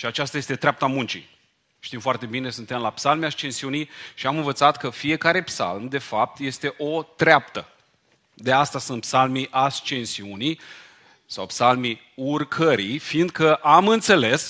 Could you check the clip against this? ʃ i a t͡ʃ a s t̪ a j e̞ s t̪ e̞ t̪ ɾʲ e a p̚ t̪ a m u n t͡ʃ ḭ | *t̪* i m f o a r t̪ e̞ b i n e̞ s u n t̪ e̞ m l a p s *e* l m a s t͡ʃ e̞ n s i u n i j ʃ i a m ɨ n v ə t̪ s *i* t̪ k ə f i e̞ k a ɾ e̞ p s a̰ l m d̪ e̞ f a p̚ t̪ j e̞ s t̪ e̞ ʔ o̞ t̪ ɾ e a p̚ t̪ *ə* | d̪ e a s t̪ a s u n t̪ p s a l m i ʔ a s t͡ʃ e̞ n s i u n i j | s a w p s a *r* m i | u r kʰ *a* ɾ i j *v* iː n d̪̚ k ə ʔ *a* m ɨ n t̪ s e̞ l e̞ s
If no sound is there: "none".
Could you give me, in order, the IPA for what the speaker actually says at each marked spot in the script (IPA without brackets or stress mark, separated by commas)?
t̪, a, a, ə, l, ə, f, a